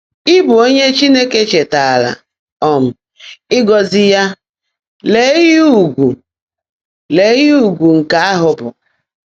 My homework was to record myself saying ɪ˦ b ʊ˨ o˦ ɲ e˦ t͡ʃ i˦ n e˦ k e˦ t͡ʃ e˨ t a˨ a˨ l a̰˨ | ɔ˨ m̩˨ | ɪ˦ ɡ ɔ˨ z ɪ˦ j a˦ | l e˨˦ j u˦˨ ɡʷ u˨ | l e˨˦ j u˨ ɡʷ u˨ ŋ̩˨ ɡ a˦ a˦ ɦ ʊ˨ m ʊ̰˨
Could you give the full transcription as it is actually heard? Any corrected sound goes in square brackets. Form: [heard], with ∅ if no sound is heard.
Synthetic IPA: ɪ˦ b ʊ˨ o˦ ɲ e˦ t͡ʃ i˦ n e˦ k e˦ t͡ʃ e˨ t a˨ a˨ l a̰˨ | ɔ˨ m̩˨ | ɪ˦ ɡ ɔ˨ z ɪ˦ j a˦ | l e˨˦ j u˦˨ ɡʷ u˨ | l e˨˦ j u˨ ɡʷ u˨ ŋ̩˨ [k] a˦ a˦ ɦ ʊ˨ [b] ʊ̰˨